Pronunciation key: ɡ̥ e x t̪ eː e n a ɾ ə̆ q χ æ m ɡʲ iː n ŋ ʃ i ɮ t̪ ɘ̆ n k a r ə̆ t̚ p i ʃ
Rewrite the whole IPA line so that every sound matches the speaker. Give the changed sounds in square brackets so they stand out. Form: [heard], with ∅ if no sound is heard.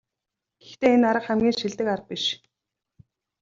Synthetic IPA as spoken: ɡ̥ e x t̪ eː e n a ɾ ə̆ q χ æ m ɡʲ iː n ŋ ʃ i ɮ t̪ ɘ̆ [∅] k a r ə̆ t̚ p i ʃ